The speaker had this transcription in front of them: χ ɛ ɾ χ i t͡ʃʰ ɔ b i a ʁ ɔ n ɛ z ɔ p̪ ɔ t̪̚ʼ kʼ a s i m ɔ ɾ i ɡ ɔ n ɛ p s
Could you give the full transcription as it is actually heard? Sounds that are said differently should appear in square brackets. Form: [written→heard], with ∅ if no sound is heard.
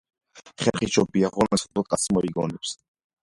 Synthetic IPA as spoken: χ ɛ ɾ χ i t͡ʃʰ ɔ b i a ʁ ɔ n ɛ [z→s] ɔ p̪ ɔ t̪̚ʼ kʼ a s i m ɔ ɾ i ɡ ɔ n ɛ p s